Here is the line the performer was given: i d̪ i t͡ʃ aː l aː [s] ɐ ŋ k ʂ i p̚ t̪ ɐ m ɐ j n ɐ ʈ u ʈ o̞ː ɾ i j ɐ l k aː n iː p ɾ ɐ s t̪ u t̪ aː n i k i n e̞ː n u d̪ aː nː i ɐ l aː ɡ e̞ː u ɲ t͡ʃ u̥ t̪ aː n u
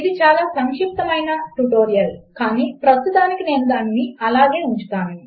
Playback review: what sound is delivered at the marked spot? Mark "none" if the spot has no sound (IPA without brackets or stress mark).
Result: s